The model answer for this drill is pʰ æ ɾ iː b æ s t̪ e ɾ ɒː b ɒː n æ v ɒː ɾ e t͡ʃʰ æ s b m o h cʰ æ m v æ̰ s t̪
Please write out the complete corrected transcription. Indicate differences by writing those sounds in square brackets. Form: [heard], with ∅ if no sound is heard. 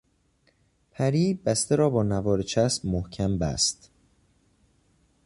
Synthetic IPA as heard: pʰ æ ɾ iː b æ s t̪ e ɾ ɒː b ɒː n æ v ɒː ɾ e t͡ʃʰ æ s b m o h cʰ æ m [b] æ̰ s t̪